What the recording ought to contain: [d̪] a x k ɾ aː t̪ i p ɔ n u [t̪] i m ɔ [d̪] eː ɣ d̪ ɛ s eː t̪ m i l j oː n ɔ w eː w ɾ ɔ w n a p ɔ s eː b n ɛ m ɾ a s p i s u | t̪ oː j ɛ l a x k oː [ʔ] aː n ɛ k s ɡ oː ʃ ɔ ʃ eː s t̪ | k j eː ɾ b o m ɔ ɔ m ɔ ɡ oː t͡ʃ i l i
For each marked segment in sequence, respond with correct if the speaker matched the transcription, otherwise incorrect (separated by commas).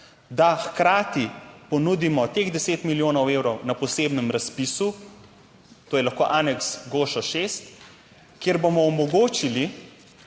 correct, incorrect, incorrect, correct